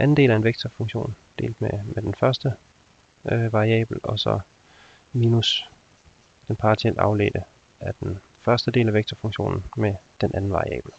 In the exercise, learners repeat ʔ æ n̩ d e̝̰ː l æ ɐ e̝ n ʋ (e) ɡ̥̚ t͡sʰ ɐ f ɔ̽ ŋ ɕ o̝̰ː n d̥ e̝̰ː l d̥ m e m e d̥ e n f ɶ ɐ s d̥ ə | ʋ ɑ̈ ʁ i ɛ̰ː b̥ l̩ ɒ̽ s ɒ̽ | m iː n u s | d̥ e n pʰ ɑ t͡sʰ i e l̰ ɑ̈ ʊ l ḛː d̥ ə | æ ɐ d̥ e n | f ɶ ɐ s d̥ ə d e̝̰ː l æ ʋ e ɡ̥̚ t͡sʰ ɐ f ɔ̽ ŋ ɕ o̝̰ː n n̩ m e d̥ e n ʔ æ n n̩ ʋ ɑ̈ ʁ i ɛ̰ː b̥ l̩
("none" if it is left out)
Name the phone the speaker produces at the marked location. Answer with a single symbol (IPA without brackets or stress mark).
e